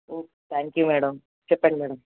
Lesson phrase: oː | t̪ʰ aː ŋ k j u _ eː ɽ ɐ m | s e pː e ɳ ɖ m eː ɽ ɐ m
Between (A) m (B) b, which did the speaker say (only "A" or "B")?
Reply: A